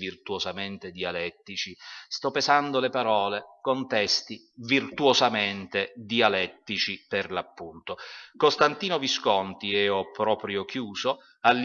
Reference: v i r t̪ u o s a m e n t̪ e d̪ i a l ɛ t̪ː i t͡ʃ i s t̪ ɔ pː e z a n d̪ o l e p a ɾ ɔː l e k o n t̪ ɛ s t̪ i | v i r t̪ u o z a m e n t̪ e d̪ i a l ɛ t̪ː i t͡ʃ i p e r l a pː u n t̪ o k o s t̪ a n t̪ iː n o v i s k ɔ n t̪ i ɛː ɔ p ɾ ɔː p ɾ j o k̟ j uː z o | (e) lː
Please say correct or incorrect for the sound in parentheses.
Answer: incorrect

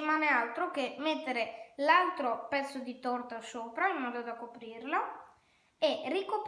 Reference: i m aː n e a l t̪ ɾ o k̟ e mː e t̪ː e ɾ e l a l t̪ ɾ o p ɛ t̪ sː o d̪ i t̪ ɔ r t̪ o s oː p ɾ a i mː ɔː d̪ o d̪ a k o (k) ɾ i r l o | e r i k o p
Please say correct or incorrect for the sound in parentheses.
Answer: incorrect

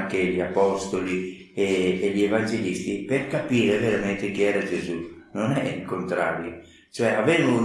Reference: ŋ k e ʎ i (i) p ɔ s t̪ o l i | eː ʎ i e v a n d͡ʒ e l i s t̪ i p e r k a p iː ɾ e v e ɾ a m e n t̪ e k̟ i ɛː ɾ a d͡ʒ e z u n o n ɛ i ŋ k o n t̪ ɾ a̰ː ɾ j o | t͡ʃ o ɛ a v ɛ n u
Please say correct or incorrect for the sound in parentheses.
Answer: incorrect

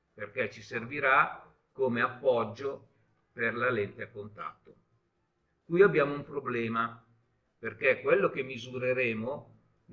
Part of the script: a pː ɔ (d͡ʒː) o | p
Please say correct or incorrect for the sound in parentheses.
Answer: correct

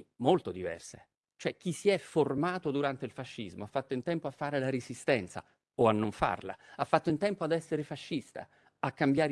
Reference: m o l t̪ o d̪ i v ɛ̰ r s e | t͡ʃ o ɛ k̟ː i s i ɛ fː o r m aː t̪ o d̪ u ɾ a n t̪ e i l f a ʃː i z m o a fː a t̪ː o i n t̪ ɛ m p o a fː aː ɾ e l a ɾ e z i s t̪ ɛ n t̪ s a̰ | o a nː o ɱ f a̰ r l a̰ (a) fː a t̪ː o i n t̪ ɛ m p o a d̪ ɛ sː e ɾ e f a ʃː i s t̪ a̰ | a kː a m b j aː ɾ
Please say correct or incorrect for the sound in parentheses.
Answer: correct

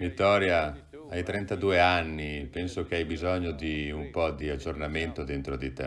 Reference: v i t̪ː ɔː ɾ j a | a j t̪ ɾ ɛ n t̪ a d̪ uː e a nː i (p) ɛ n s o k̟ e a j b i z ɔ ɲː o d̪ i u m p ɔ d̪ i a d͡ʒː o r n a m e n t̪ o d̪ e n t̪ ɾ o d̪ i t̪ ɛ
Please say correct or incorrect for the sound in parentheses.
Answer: correct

